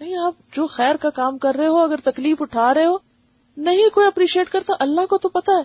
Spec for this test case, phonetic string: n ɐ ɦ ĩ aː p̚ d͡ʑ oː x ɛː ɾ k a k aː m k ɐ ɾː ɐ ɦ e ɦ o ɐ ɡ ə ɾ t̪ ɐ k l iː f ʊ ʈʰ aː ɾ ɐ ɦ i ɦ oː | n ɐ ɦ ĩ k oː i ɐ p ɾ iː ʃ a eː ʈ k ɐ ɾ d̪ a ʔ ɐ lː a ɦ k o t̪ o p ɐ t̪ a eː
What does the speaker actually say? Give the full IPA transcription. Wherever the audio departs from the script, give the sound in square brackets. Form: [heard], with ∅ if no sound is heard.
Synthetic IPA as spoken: n ɐ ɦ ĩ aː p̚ d͡ʑ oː x ɛː ɾ k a k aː m k ɐ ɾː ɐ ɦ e ɦ o ɐ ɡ ə ɾ t̪ ɐ k l iː f ʊ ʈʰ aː ɾ ɐ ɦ [e] ɦ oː | n ɐ ɦ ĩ k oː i ɐ p ɾ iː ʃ [i] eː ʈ k ɐ ɾ [t̪] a ʔ ɐ lː a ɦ k o t̪ o p ɐ t̪ a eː